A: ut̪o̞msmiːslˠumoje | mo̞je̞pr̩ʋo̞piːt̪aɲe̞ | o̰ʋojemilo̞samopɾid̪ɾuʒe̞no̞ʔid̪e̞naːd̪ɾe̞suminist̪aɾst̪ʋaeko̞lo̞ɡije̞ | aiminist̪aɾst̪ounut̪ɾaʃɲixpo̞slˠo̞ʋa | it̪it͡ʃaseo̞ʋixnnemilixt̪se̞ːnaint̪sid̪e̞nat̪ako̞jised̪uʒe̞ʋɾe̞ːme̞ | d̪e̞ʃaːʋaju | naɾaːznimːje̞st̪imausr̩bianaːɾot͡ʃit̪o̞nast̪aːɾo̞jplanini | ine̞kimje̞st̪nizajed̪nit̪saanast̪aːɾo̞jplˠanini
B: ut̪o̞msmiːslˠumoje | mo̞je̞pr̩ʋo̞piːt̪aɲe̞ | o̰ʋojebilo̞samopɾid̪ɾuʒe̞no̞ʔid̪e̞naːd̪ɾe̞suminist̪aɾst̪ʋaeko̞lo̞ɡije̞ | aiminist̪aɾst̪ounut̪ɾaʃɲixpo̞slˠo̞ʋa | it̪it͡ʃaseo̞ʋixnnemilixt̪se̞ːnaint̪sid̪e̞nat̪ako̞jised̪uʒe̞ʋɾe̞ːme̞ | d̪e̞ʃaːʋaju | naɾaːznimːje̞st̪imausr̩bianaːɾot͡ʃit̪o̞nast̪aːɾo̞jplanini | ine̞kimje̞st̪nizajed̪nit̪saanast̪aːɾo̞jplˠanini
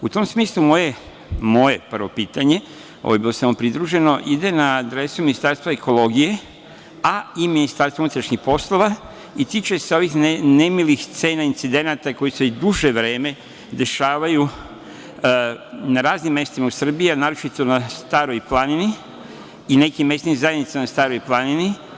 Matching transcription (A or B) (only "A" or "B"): B